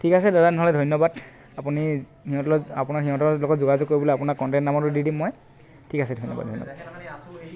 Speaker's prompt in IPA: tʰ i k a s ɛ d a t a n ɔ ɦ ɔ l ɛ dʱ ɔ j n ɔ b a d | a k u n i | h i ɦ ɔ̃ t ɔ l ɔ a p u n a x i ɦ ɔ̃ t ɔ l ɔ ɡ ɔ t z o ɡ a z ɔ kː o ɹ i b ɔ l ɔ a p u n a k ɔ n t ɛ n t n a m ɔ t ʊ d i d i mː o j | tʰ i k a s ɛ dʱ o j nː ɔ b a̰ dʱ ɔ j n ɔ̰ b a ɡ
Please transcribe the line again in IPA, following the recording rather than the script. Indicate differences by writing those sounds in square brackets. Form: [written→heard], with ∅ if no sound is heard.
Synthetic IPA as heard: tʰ i k a s ɛ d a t a n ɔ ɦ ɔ l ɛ dʱ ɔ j n ɔ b a d | a [k→p] u n i | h i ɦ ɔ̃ t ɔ l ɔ a p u n a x i ɦ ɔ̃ t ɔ l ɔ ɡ ɔ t z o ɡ a z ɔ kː o ɹ i b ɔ l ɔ a p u n a k ɔ n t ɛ n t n a m ɔ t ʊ d i d i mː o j | tʰ i k a s ɛ dʱ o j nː ɔ b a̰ dʱ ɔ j n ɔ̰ b a [ɡ→d]

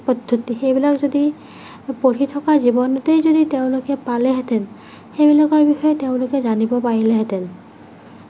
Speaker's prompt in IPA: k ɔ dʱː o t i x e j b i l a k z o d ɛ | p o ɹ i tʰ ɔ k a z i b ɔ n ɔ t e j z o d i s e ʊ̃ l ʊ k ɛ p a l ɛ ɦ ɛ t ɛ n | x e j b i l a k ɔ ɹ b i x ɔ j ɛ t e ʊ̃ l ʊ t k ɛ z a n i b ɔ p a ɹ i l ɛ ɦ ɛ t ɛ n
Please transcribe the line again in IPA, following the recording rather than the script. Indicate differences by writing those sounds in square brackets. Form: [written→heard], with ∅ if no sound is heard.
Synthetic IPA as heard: [k→p] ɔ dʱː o t i x e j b i l a k z o d [ɛ→i] | p o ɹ i tʰ ɔ k a z i b ɔ n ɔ t e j z o d i [s→t] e ʊ̃ l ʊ k ɛ p a l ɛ ɦ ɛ t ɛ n | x e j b i l a k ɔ ɹ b i x ɔ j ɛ t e ʊ̃ l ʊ [t→∅] k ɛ z a n i b ɔ p a ɹ i l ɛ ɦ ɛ t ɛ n

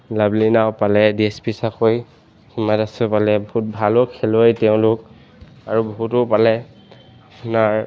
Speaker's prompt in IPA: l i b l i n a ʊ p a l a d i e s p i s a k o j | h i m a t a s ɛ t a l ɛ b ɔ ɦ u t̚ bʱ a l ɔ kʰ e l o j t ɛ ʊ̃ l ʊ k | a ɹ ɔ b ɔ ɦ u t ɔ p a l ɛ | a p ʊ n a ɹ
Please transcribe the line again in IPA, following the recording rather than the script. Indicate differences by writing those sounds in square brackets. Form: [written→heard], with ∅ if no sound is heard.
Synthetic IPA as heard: l [i→a] b l i n a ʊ p a l [a→ɛ] d i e s p i s a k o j | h i m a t a s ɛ [t→p] a l ɛ b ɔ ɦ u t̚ bʱ a l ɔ kʰ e l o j t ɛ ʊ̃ l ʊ k | a ɹ [ɔ→u] b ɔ ɦ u t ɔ p a l ɛ | a p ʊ n a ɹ

